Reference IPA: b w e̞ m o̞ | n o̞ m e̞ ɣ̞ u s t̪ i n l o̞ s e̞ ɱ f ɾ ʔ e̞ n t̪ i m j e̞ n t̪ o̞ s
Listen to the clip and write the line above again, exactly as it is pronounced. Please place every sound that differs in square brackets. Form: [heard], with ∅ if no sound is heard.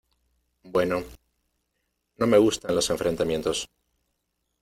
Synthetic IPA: b w e̞ [n] o̞ | n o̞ m e̞ ɣ̞ u s t̪ [a] n l o̞ s e̞ ɱ f ɾ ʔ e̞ n t̪ [a] m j e̞ n t̪ o̞ s